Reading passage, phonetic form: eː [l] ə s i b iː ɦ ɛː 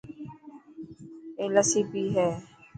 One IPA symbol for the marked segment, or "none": l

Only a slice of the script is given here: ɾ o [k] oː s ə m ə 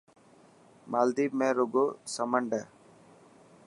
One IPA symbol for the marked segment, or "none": ɡ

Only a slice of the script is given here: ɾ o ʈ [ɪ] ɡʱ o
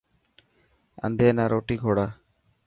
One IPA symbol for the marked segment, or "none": i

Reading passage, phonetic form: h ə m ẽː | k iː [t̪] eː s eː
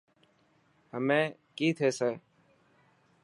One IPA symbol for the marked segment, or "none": t̪ʰ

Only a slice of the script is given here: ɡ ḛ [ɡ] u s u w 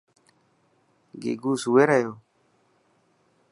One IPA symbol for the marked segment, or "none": ɡ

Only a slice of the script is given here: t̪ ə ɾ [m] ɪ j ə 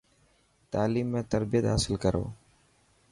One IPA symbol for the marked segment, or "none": b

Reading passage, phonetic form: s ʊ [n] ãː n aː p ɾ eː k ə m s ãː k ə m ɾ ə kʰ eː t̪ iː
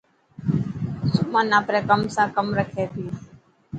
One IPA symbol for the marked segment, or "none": m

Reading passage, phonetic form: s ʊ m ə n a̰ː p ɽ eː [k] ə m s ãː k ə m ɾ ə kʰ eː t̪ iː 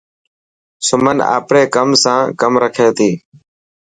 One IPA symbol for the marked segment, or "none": k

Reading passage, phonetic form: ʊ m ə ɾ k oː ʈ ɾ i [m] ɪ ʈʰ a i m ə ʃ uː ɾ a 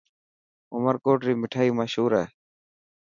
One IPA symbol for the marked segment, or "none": m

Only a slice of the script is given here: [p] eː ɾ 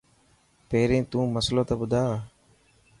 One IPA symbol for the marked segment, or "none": p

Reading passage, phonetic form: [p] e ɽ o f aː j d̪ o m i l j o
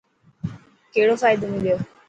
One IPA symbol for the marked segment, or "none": k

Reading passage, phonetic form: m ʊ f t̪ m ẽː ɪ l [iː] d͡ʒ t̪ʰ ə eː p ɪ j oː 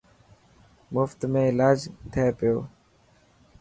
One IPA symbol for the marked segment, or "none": aː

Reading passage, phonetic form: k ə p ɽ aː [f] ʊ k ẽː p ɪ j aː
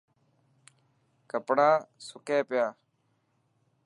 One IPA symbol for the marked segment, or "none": s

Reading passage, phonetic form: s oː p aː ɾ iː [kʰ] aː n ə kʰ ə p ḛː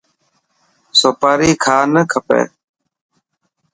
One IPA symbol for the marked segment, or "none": kʰ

